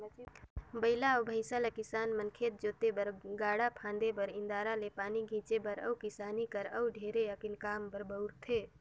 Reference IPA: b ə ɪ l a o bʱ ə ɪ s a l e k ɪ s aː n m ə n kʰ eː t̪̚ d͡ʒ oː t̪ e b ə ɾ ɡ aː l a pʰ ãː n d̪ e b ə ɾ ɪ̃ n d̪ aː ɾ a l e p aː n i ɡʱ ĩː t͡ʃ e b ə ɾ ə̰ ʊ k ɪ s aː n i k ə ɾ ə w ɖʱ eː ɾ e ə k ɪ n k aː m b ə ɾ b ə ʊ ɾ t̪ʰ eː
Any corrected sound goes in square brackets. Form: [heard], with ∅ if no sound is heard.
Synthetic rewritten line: b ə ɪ l a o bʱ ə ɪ s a l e k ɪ s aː n m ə n kʰ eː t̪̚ d͡ʒ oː t̪ e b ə ɾ ɡ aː [ɽ] a pʰ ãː n d̪ e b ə ɾ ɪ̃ n d̪ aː ɾ a l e p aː n i ɡʱ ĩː t͡ʃ e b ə ɾ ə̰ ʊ k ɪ s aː n i k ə ɾ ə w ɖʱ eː ɾ e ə k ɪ n k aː m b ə ɾ b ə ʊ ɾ t̪ʰ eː

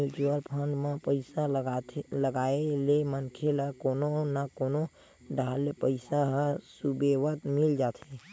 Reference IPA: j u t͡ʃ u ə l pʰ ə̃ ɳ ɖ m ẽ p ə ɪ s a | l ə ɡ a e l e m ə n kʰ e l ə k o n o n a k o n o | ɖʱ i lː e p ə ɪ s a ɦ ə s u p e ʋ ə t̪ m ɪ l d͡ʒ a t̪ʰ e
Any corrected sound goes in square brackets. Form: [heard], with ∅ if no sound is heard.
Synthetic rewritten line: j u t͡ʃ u ə l pʰ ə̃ ɳ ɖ m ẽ p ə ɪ s a | l ə ɡ a e l e m ə n kʰ e l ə k o n o n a k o n o | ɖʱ [a] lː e p ə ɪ s a ɦ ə s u [b] e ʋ ə t̪ m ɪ l d͡ʒ a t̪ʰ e

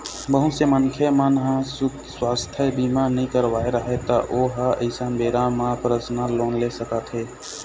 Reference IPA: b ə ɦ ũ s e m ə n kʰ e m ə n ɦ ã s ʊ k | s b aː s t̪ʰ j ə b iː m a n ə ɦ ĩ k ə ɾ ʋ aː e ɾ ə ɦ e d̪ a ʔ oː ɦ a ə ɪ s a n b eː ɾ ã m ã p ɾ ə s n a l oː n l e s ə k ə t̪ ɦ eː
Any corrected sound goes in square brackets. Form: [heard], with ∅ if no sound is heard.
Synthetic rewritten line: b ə ɦ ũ s e m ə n kʰ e m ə n ɦ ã s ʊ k | s [w] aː s t̪ʰ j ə b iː m a n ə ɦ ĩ k ə ɾ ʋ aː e ɾ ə ɦ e [t̪] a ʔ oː ɦ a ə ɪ s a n b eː ɾ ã m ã p ɾ ə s n a l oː n l e s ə k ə t̪ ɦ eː

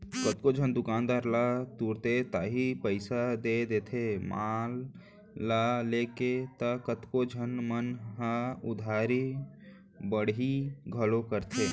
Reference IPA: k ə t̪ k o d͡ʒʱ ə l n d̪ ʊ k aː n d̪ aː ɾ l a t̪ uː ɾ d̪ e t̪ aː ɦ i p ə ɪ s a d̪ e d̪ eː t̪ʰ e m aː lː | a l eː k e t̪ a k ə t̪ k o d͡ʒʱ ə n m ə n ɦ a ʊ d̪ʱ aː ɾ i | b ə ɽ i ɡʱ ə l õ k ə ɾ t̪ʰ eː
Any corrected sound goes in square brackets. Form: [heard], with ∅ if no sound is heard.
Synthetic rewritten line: k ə t̪ k o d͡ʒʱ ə [∅] n d̪ ʊ k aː n d̪ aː ɾ l a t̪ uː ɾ [t̪] e t̪ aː ɦ i p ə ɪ s a d̪ e d̪ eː t̪ʰ e m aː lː | a l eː k e t̪ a k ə t̪ k o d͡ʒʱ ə n m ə n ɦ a ʊ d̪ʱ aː ɾ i | b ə ɽ i ɡʱ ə l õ k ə ɾ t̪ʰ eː

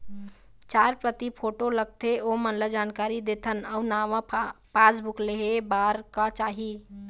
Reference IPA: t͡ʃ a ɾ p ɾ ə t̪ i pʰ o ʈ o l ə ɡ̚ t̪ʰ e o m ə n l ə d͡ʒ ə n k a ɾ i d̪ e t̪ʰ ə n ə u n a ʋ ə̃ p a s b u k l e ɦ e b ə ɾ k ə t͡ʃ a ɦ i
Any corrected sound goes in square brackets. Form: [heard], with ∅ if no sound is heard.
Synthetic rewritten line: t͡ʃ a ɾ p ɾ ə t̪ i pʰ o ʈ o l ə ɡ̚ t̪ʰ e o m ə n l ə d͡ʒ [a] n k a ɾ i d̪ e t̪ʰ ə n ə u n a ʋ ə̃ p a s b u k l e ɦ e b [a] ɾ k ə t͡ʃ a ɦ i

